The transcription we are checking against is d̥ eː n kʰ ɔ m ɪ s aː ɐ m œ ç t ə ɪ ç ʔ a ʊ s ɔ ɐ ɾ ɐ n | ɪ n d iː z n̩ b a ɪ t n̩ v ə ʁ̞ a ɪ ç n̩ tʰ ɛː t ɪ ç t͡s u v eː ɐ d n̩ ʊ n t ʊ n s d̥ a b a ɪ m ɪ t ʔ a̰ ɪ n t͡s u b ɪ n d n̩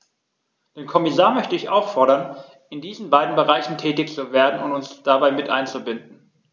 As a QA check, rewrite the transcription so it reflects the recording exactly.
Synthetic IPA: d̥ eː n kʰ ɔ m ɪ s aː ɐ m œ ç t ə ɪ ç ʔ a ʊ f ɔ ɐ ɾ ɐ n | ɪ n d iː z n̩ b a ɪ d n̩ b ə ʁ̞ a ɪ ç n̩ tʰ ɛː t ɪ ç t͡s u v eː ɐ d n̩ ʊ n t ʊ n s d̥ a b a ɪ m ɪ t ʔ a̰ ɪ n t͡s u b ɪ n d n̩